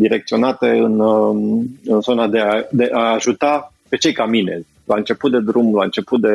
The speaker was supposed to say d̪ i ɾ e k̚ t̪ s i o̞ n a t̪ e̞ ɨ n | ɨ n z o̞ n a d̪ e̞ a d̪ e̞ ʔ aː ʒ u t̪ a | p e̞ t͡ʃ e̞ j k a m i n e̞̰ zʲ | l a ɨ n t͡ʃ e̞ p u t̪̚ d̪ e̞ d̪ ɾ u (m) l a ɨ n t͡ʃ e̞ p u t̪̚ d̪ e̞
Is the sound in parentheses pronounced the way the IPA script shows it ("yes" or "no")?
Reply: yes